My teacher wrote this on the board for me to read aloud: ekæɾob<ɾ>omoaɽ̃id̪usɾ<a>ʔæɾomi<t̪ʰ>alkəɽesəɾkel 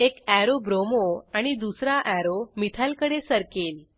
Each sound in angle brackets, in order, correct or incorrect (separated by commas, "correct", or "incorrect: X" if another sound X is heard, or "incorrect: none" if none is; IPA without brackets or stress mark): correct, correct, correct